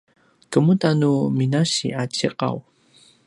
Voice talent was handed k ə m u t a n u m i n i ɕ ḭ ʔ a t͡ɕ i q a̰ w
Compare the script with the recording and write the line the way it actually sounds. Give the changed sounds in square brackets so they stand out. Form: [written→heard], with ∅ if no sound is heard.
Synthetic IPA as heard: k ə m u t a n u m i n [i→a] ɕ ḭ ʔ a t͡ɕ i q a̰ w